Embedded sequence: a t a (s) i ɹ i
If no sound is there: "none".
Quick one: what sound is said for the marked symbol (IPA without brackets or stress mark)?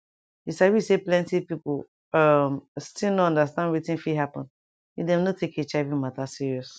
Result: s